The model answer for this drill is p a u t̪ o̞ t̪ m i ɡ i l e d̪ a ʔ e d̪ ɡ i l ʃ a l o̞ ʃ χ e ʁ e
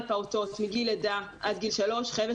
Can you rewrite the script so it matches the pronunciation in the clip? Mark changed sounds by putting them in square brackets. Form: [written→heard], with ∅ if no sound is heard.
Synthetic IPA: p a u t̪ o̞ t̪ m i ɡ i l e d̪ a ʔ [e→a] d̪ ɡ i l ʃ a l o̞ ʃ χ e [ʁ→v] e